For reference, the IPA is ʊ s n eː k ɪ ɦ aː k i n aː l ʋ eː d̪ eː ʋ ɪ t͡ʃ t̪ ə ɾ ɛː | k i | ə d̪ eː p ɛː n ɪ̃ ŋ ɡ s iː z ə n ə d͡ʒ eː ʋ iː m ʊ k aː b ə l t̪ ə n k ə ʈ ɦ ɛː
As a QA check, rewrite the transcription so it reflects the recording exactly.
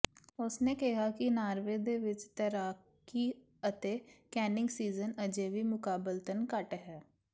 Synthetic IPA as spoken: ʊ s n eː k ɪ ɦ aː k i n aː ɾ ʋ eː d̪ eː ʋ ɪ t͡ʃ t̪ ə ɾ aː | k i | ə t̪ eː k ɛː n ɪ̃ ŋ ɡ s iː z ə n ə d͡ʒ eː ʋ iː m ʊ k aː b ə l t̪ ə n k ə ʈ ɦ ɛː